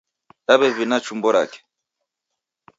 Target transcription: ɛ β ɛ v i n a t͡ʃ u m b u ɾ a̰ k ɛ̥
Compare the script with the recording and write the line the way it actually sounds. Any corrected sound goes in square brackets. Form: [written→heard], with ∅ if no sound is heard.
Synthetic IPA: [ɛ→a] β ɛ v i n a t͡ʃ u m b [u→ɔ] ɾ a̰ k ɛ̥